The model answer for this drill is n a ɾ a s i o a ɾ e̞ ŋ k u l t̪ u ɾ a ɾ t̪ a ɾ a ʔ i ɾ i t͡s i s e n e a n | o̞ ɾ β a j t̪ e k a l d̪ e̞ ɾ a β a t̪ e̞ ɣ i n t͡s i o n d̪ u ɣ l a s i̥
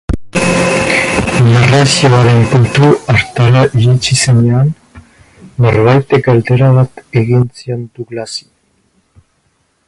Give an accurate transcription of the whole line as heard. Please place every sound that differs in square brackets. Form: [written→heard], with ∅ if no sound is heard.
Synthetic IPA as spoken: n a [ɾ→r] a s i o a ɾ e̞ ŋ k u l t̪ u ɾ a ɾ t̪ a ɾ a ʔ i ɾ i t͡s i s e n e a [n→nː] | o̞ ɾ β a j t̪ e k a l d̪ e̞ ɾ a β a t̪ e̞ ɣ i n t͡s i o n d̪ u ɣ l a s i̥